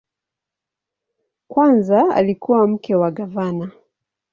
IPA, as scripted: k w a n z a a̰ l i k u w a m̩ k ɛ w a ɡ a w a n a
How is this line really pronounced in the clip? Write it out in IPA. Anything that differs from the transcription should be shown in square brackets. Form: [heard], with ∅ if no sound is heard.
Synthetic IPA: k w a n z a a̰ l i k u w a m̩ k ɛ w a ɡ a [v] a n a